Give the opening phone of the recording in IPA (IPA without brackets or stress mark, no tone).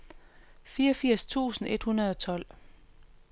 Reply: f